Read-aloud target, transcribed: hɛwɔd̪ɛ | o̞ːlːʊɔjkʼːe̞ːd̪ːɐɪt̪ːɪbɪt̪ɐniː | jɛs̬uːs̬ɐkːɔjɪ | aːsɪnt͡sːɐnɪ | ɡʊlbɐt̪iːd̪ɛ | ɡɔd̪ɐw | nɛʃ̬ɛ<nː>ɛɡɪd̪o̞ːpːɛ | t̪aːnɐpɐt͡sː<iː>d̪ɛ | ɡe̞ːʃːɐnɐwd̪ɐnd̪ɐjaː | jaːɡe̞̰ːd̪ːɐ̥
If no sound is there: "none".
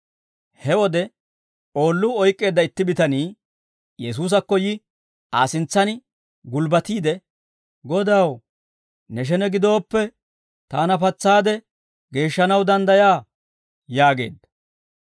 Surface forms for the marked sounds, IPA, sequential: n, aː

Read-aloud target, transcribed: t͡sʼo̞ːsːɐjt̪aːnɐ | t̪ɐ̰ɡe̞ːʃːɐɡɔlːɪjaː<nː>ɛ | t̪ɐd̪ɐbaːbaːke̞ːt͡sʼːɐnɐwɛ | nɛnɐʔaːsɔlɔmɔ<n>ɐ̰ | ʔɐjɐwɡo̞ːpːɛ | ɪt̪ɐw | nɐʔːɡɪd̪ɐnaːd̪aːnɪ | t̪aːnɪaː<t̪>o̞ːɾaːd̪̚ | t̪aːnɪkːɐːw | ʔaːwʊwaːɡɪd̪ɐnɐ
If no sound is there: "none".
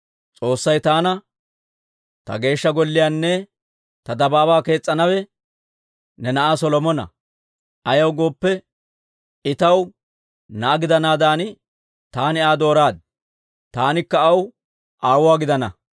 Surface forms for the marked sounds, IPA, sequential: nː, n, d̪

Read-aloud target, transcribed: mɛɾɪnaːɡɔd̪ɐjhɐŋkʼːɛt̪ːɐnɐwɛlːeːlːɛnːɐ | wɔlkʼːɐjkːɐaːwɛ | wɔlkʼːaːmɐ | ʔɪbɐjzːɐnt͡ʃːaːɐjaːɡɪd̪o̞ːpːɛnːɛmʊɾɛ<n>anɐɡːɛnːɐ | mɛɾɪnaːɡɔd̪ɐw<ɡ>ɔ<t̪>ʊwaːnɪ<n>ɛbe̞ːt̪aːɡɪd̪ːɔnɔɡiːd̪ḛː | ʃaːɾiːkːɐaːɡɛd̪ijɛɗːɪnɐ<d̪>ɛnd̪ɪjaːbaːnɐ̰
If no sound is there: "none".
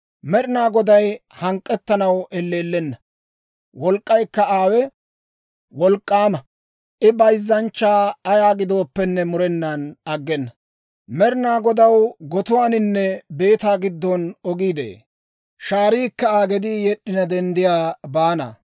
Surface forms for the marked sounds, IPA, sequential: nː, ɡ, t̪, nː, d̪

